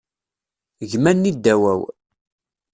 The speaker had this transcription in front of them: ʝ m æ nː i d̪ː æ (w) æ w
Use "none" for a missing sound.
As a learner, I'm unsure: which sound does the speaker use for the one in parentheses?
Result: w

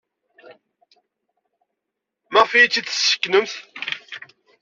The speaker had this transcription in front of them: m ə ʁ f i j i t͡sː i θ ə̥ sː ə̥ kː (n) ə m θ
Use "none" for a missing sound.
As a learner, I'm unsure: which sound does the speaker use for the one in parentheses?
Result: n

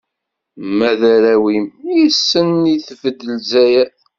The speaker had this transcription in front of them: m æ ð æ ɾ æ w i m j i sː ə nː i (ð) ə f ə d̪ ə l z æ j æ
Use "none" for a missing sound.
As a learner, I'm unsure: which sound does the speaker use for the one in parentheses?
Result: θ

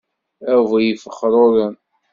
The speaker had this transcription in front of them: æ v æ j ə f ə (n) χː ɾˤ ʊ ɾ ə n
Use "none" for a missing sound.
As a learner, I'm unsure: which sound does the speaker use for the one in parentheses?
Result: none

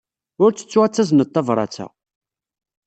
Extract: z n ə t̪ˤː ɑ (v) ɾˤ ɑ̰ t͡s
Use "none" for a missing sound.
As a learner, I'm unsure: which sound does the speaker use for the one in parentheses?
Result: v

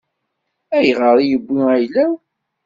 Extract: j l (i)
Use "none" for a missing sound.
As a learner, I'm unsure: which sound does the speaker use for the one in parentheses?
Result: æ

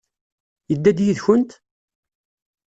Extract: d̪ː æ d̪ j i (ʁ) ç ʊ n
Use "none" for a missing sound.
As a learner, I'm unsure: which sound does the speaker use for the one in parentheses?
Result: ð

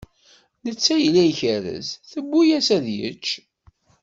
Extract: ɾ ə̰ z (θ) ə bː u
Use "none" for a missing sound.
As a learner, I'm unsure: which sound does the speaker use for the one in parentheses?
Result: θ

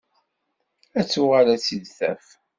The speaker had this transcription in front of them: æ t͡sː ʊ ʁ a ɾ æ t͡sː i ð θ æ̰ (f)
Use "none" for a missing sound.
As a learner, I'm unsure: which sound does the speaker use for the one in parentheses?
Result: f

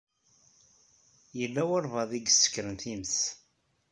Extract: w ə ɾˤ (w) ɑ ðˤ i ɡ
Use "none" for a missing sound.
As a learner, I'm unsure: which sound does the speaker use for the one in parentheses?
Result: v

